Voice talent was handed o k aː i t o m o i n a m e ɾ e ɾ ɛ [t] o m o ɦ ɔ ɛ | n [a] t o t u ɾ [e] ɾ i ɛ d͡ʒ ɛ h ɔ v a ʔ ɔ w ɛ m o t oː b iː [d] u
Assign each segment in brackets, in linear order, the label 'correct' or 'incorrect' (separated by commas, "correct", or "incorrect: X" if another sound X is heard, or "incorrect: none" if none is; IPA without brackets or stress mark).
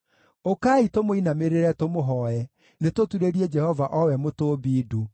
correct, incorrect: e, correct, correct